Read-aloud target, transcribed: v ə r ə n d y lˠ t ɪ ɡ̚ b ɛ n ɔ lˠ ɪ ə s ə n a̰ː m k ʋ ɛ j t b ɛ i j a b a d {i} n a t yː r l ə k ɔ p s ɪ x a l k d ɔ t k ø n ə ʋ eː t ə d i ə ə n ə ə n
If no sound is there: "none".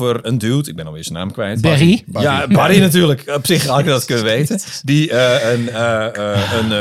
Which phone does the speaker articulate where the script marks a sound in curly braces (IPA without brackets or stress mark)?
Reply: i